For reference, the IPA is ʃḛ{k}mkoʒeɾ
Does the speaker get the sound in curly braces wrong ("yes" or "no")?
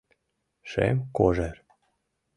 yes